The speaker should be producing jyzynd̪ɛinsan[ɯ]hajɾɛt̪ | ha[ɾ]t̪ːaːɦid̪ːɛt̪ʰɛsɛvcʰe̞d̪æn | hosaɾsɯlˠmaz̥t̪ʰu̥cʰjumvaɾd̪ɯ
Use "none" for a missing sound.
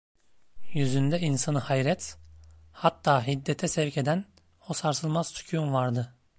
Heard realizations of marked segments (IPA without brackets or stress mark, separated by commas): ɯ, none